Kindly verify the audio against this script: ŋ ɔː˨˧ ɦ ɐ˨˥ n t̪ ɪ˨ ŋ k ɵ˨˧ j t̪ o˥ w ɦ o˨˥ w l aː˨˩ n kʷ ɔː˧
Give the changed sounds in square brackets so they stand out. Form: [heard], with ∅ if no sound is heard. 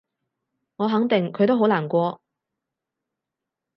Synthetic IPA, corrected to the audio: ŋ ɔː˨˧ ɦ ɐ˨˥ [ŋ] t̪ ɪ˨ ŋ [kʰ] ɵ˨˧ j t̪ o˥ w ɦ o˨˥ w l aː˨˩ n kʷ ɔː˧